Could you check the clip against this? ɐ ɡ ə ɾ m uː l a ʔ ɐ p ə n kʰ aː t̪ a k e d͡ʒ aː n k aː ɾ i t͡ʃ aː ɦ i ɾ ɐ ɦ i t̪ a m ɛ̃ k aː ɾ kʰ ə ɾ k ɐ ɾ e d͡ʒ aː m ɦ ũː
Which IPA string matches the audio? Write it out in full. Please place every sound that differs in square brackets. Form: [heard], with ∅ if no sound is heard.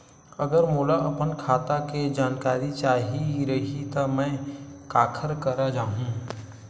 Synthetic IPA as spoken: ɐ ɡ ə ɾ m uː l a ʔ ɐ p ə n kʰ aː t̪ a k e d͡ʒ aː n k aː ɾ i t͡ʃ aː ɦ i ɾ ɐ ɦ i t̪ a m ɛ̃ k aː [∅] kʰ ə ɾ k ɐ ɾ [a] d͡ʒ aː [∅] ɦ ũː